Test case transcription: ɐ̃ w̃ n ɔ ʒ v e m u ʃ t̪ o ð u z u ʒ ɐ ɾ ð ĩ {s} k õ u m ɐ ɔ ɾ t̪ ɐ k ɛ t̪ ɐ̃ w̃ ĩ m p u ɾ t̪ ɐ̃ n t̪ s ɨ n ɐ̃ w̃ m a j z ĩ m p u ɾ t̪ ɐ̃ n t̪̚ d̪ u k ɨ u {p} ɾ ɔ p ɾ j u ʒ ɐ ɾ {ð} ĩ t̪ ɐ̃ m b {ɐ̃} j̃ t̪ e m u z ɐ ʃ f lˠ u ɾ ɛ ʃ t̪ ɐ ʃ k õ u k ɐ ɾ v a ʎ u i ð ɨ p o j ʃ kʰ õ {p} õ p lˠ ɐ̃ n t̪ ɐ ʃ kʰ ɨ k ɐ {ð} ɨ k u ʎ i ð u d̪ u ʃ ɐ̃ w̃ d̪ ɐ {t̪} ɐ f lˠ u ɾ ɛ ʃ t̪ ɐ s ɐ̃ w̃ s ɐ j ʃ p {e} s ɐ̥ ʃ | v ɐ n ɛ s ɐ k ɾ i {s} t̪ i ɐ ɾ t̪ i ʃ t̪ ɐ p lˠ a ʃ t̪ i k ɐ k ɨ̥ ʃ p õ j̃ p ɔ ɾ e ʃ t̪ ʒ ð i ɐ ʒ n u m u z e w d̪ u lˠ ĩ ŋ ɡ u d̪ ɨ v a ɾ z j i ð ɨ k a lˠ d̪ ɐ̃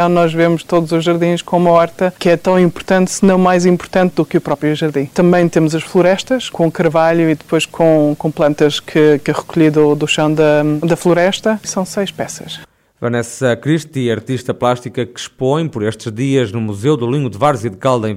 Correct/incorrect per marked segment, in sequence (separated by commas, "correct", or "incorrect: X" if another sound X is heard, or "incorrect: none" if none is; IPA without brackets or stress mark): incorrect: ʃ, correct, correct, correct, incorrect: k, incorrect: ʁ, incorrect: d̪, incorrect: ɛ, incorrect: ʃ